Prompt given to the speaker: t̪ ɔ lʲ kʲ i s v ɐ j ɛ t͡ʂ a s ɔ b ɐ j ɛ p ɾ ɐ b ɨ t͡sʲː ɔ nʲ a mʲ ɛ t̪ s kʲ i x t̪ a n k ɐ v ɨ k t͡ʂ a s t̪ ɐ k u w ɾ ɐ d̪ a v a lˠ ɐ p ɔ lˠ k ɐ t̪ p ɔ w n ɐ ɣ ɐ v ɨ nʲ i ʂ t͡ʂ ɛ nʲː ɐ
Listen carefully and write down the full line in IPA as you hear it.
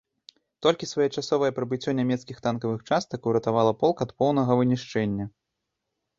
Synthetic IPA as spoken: t̪ ɔ lʲ kʲ i s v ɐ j ɛ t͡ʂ a s ɔ v ɐ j ɛ p ɾ ɐ b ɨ t͡sʲː ɔ nʲ a mʲ ɛ t̪ s kʲ i x t̪ a n k ɐ v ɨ x t͡ʂ a s t̪ ɐ k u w ɾ ɐ t̪ a v a lˠ ɐ p ɔ lˠ k ɐ t̪ p ɔ w n ɐ ɣ ɐ v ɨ nʲ i ʂ t͡ʂ ɛ nʲː ɐ